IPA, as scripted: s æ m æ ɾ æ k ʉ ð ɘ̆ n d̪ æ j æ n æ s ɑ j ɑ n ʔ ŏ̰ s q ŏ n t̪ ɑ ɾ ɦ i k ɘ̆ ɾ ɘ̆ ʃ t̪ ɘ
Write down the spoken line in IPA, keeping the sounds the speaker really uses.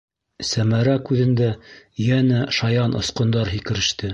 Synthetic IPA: s æ m æ ɾ æ k ʉ ð ɘ̆ n d̪ æ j æ n æ ʃ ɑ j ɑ n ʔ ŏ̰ s q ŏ n d̪ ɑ ɾ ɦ i k ɘ̆ ɾ ɘ̆ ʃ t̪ ɘ